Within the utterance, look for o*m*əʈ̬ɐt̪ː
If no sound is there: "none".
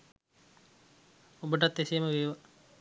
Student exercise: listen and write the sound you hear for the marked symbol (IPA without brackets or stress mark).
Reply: b